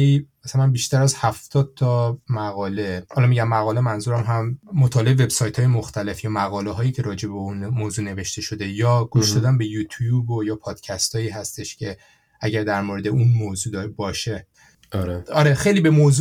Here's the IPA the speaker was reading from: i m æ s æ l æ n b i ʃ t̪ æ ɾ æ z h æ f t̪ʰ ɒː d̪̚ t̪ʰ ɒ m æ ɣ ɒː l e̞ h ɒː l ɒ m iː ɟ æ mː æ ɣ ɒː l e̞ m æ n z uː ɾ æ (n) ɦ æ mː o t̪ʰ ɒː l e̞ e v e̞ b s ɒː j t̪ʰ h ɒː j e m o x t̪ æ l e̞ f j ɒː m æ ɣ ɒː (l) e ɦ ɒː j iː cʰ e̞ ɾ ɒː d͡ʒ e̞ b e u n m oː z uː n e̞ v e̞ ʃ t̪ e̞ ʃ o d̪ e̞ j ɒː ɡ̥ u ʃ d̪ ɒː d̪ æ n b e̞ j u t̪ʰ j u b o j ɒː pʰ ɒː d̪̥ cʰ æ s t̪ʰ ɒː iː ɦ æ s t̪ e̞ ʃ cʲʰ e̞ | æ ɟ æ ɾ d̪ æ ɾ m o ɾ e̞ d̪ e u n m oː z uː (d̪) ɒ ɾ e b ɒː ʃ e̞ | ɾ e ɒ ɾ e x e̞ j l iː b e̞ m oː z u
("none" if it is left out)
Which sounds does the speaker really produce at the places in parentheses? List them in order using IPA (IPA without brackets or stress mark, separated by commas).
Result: m, l, d̪